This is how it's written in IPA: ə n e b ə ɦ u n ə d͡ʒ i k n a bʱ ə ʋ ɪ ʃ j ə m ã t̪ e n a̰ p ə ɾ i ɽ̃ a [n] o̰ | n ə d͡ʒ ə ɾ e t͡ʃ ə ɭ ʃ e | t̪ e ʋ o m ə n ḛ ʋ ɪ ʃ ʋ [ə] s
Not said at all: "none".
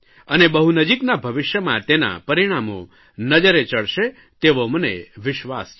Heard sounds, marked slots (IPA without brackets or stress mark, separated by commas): m, a